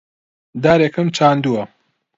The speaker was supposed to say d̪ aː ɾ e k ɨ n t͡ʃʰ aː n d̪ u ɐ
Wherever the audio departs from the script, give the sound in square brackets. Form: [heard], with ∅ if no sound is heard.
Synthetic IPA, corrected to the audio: d̪ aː ɾ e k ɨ [m] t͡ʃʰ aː n d̪ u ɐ